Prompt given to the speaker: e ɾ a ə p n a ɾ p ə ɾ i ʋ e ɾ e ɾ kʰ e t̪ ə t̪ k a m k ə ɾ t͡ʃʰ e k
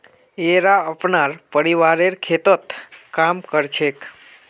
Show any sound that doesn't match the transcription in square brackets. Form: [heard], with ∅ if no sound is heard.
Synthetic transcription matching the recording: e ɾ a ə p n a ɾ p ə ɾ i ʋ [a] ɾ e ɾ kʰ e t̪ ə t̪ k a m k ə ɾ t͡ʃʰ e k